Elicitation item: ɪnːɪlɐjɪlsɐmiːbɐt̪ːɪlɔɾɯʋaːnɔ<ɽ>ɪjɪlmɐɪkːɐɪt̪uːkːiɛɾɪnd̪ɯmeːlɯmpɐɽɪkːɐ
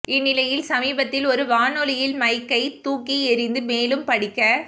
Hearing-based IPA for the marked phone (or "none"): l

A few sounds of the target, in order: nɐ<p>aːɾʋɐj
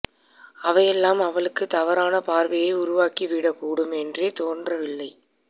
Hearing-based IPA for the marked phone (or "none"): p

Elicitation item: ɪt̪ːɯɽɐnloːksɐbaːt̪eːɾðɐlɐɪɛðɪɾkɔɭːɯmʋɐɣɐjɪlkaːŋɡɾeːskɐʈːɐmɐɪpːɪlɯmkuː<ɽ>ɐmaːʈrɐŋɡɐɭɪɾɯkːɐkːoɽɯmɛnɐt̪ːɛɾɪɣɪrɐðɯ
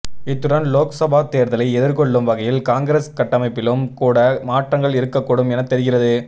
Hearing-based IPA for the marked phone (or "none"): ɽ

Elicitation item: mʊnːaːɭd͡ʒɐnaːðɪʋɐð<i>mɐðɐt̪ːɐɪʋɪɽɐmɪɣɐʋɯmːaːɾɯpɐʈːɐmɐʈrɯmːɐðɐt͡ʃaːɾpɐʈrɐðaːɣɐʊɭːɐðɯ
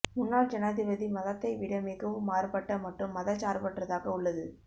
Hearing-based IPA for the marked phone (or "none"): i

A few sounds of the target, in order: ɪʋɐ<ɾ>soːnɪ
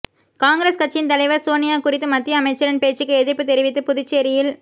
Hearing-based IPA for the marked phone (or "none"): ɾ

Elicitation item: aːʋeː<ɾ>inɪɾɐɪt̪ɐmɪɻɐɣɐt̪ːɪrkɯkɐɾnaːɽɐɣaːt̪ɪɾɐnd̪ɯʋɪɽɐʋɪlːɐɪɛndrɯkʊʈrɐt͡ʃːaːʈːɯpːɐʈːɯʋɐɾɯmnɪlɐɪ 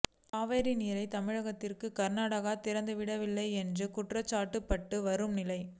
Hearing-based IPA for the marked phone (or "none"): ɾ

